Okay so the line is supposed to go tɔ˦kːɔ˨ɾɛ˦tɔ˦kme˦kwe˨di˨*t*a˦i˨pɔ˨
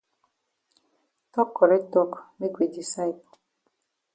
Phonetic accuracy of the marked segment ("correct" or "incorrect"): incorrect